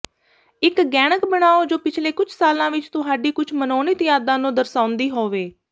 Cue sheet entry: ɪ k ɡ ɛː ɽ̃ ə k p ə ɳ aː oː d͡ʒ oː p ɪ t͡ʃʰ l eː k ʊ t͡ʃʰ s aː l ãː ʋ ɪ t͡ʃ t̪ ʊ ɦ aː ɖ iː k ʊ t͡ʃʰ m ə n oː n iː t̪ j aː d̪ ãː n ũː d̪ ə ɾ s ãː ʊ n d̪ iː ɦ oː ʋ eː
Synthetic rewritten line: ɪ k ɡ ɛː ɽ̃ ə k b ə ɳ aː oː d͡ʒ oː p ɪ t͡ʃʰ l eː k ʊ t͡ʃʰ s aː l ãː ʋ ɪ t͡ʃ t̪ ʊ ɦ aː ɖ iː k ʊ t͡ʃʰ m ə n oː n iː t̪ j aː d̪ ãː n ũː d̪ ə ɾ s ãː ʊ n d̪ iː ɦ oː ʋ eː